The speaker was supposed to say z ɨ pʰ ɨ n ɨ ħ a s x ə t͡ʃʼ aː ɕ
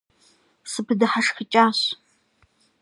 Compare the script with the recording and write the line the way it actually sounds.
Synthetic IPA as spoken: s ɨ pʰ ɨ d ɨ ħ a ʂ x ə t͡ʃʼ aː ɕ

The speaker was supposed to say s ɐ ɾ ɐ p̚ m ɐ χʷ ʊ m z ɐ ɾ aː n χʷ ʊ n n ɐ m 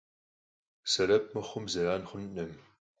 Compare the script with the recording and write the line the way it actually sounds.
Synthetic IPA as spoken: s ɐ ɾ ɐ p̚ m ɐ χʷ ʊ m z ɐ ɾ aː n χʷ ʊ n n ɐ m

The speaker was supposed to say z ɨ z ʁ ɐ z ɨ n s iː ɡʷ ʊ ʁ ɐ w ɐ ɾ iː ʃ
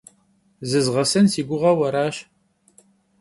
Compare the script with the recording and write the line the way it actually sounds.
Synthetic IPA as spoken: z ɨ z ʁ ɐ s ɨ n s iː ɡʷ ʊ ʁ ɐ w ɐ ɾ aː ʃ

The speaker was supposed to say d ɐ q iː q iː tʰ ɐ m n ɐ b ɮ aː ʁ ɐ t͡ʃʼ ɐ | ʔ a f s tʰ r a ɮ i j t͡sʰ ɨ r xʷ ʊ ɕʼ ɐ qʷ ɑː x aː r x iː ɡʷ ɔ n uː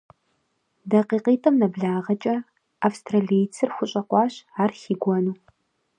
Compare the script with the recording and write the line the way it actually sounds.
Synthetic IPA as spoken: d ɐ q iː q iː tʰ ɐ m n ɐ b ɮ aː ʁ ɐ t͡ʃʼ ɐ | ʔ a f s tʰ r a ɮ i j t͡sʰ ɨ r xʷ ʊ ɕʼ ɐ qʷ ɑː ɕ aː r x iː ɡʷ ɔ n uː

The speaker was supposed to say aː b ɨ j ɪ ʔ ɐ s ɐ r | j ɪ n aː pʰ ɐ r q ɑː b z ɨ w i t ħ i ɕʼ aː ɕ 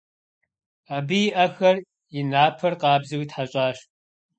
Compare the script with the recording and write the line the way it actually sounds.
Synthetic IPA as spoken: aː b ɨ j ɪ ʔ ɐ x ɐ r | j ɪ n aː pʰ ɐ r q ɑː b z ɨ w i t ħ a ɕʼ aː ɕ

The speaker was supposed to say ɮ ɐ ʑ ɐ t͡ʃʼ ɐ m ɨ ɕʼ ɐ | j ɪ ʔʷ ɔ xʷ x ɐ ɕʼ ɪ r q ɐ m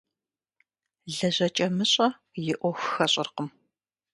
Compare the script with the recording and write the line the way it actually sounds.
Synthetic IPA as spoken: ɮ ɐ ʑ ɐ t͡ʃʼ ɐ m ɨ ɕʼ ɐ | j ɪ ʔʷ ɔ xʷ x ɐ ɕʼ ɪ r q ə m

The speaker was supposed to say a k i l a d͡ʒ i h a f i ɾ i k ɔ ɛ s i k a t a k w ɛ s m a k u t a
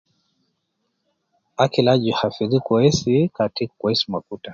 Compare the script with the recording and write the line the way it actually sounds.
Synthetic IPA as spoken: a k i l a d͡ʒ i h a f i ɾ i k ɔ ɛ s i k a t i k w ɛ s m a k u t a

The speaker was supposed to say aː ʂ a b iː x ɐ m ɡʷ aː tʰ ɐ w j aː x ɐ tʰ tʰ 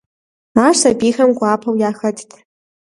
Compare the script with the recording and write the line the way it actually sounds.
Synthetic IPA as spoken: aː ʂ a b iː x ɐ m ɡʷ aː pʰ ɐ w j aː x ɐ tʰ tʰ

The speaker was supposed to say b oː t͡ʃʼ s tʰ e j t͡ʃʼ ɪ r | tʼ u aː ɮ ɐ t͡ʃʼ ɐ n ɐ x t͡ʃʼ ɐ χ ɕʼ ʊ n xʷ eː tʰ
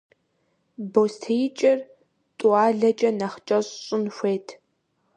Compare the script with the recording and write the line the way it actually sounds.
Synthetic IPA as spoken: b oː s tʰ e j t͡ʃʼ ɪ r | tʼ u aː ɮ ɐ t͡ʃʼ ɐ n ɐ χ t͡ʃʼ ɐ ɕ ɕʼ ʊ n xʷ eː tʰ

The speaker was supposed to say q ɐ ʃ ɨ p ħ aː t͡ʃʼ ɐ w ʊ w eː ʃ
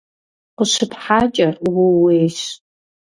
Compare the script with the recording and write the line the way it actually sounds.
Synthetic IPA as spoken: q ə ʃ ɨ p ħ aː t͡ʃʼ ɐ w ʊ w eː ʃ

